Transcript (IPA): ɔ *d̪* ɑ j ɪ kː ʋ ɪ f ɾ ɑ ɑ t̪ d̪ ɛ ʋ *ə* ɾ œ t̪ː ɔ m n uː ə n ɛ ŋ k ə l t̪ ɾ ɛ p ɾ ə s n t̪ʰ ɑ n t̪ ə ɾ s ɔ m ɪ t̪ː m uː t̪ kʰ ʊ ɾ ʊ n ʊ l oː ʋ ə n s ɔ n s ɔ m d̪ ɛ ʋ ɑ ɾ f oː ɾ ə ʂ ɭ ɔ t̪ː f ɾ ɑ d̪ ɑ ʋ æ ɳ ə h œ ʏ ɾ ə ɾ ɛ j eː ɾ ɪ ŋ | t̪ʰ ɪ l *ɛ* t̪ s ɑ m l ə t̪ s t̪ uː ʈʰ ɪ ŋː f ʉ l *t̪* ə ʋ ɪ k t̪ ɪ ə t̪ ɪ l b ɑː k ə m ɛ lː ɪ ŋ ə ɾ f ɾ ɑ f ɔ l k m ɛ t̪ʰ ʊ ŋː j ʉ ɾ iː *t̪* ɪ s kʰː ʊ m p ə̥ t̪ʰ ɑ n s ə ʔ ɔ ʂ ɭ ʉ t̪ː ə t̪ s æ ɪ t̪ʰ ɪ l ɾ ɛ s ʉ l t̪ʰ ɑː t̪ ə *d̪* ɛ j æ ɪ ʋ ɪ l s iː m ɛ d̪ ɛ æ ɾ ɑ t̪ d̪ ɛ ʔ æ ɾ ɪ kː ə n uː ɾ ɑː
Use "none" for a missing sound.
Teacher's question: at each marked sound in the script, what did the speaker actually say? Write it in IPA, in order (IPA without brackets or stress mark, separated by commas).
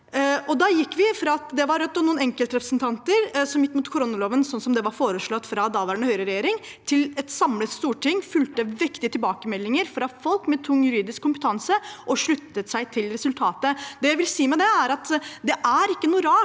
d̪, ɑ, ɛ, t̪, d̪, d̪